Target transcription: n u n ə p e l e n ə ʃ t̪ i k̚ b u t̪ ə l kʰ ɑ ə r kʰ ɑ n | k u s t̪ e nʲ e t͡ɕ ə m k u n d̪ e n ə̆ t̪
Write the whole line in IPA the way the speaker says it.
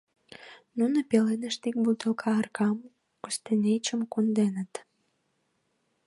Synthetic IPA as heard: n u n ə p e l e n ə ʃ t̪ i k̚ b u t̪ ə l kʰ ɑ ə r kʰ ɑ m | k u s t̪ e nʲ e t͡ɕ ə m k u n d̪ e n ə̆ t̪